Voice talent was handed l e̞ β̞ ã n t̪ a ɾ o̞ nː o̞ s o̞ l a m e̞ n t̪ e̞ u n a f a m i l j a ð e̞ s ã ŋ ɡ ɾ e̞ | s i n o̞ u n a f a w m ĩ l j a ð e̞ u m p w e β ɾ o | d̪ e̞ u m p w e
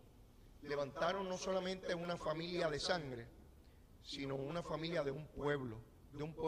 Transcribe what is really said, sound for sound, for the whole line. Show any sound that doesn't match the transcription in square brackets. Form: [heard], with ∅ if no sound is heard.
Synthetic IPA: l e̞ β̞ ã n t̪ a ɾ o̞ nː o̞ s o̞ l a m [ẽ̞] n t̪ e̞ u n a f a m i l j a ð e̞ s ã ŋ ɡ ɾ e̞ | s i n o̞ u n a f a [∅] m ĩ l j a ð e̞ u m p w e β [l] o | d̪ e̞ u m p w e